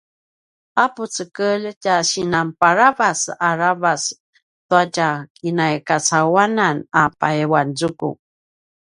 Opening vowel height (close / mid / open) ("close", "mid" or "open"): open